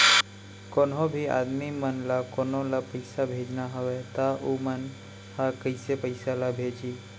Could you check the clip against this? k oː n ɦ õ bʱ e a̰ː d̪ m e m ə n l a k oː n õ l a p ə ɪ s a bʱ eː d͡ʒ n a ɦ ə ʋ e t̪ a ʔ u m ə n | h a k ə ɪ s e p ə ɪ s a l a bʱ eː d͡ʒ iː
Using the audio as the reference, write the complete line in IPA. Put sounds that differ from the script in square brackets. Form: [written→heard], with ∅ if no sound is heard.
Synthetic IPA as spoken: k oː n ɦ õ bʱ [e→i] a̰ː d̪ m [e→i] m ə n l a k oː n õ l a p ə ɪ s a bʱ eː d͡ʒ n a ɦ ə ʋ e t̪ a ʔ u m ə n | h a k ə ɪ s e p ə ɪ s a l a bʱ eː d͡ʒ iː